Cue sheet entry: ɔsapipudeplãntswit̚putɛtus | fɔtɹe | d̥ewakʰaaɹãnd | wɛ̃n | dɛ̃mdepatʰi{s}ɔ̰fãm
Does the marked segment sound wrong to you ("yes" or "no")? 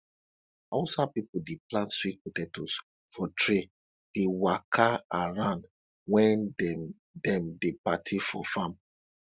yes